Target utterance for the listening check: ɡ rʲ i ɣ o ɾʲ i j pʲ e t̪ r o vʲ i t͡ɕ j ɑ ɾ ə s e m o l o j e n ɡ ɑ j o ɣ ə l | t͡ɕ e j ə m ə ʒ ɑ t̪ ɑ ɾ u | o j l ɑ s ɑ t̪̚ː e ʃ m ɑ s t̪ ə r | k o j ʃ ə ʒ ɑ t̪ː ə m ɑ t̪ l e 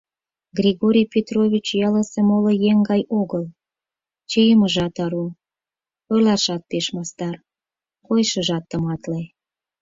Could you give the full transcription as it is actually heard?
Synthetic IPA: ɡ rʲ i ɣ o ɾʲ i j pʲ e t̪ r o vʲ i t͡ɕ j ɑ l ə s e m o l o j e ŋ ɡ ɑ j o ɣ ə l | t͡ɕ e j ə m ə ʒ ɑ t̪ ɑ ɾ u | o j l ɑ ʃ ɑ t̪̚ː e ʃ m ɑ s t̪ ɑ r | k o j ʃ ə ʒ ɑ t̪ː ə m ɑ t̪ l e